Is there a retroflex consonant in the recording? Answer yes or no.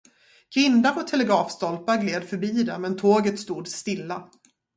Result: no